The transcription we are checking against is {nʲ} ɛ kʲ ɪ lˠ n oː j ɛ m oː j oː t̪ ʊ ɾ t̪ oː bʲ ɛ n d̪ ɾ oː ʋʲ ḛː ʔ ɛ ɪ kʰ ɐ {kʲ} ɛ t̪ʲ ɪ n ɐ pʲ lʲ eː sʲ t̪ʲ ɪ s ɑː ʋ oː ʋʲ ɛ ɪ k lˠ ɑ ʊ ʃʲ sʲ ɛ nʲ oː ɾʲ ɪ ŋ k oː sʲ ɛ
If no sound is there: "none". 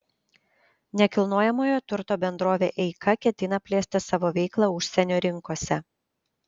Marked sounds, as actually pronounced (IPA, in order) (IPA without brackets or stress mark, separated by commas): nʲ, kʲ